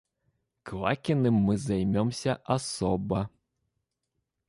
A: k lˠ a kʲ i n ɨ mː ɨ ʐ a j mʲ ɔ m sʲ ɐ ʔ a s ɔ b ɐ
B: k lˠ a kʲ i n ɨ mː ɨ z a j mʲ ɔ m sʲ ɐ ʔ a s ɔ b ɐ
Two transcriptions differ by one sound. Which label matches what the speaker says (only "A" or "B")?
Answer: B